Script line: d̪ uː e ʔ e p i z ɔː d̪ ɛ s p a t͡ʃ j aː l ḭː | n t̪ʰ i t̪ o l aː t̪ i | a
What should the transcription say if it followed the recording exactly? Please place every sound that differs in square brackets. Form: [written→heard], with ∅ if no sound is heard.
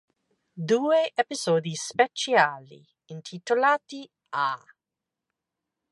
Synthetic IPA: d̪ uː e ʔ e p i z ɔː d̪ [ɛ→i] s p [a→e] t͡ʃ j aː l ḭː | n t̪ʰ i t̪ o l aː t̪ i | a